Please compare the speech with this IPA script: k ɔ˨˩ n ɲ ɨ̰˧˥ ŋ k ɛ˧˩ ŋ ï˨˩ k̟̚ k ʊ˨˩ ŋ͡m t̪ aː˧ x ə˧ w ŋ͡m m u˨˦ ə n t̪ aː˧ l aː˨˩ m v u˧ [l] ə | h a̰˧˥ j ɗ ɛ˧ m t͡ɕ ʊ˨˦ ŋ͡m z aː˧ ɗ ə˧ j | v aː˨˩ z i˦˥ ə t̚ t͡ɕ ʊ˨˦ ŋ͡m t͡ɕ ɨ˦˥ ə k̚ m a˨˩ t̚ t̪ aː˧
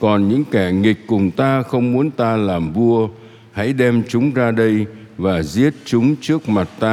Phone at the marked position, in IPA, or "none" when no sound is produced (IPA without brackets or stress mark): none